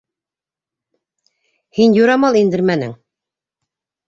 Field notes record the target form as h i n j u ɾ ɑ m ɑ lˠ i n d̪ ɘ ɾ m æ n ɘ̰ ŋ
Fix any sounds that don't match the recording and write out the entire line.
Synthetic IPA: h i n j u ɾ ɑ m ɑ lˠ i n d̪ ɘ ɾ m æ n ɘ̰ ŋ